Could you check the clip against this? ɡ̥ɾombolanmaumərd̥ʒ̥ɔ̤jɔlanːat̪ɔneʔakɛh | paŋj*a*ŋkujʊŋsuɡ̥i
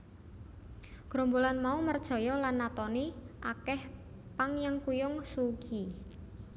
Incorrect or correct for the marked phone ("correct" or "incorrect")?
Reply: correct